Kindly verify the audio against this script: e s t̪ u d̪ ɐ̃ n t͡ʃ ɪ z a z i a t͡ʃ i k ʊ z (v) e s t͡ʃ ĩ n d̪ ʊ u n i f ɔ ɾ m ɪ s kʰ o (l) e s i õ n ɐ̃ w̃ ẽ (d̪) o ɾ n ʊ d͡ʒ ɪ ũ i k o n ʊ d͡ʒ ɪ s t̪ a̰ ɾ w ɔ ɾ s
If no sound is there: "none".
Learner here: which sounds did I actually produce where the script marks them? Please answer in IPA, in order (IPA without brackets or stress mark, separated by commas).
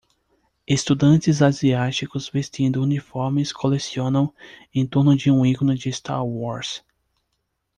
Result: v, l, t̪